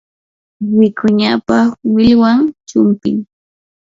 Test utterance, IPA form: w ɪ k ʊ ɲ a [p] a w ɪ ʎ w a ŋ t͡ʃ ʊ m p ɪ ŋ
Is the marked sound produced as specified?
yes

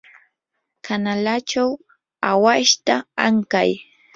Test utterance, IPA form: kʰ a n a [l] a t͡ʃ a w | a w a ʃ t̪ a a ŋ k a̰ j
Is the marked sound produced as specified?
yes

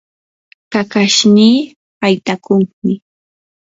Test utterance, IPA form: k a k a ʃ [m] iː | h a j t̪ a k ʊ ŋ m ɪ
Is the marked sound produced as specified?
no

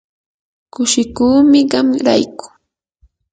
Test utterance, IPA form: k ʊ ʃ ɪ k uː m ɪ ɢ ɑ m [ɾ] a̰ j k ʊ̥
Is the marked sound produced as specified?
yes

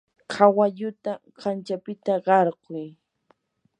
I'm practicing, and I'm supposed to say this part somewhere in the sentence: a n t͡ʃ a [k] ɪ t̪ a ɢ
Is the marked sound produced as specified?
no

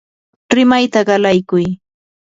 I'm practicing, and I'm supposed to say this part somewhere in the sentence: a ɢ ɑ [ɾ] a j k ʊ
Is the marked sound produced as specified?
no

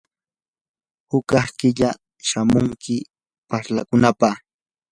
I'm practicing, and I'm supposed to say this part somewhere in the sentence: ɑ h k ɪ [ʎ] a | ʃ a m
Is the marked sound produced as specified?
yes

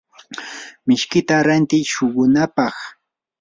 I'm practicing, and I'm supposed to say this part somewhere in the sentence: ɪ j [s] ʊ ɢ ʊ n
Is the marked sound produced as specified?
no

